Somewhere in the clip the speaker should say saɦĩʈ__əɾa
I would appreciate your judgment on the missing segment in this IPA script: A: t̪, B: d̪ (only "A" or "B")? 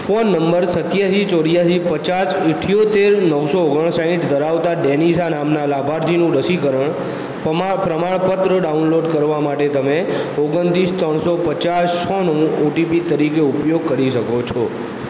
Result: B